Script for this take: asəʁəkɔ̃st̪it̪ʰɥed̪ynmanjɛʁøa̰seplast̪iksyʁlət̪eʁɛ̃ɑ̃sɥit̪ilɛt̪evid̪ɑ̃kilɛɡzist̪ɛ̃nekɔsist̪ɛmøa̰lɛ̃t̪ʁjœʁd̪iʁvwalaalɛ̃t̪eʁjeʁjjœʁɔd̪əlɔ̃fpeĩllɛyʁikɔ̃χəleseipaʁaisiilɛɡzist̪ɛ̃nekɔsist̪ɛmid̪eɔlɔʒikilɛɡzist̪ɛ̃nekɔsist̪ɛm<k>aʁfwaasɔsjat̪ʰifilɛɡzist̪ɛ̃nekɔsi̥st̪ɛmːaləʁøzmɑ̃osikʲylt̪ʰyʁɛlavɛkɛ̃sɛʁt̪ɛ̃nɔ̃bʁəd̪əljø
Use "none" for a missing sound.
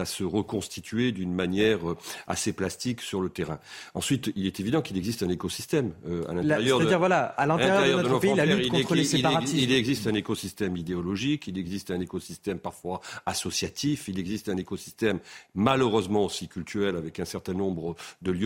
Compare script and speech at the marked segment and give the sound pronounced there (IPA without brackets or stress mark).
p